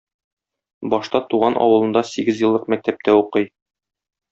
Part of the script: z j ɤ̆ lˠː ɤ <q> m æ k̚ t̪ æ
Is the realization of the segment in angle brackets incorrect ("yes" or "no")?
no